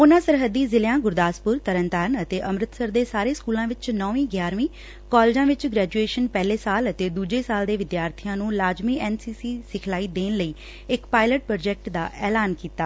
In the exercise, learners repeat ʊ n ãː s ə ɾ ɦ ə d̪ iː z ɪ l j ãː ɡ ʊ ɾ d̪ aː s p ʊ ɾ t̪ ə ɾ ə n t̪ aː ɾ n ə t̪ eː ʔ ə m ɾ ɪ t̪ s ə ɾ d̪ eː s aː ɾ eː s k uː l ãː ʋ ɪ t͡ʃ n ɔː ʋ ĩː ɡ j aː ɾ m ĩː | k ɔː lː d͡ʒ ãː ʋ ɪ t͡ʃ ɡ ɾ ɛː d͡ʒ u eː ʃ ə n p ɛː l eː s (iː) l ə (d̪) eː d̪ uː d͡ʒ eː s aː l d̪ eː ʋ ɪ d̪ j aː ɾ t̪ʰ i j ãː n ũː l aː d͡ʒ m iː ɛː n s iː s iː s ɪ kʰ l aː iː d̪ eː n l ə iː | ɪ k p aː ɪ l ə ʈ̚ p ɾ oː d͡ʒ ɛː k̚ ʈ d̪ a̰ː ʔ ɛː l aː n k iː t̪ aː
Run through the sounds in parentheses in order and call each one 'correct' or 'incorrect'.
incorrect: aː, incorrect: t̪

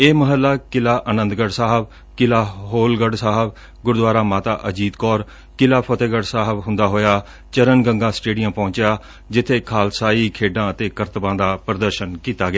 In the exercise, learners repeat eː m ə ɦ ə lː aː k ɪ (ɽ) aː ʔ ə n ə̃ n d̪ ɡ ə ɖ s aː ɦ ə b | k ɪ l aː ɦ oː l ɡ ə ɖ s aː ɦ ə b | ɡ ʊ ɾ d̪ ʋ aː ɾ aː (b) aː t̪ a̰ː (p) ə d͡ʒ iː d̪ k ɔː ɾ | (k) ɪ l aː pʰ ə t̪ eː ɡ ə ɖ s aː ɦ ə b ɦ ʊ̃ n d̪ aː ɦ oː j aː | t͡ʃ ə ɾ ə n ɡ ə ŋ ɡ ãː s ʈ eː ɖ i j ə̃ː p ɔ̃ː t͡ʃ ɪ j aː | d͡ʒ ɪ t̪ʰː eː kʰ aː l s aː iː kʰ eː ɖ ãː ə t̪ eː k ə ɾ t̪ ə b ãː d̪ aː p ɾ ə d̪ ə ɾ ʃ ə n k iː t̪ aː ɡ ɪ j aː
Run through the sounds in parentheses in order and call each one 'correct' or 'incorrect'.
incorrect: l, incorrect: m, incorrect: ʔ, correct

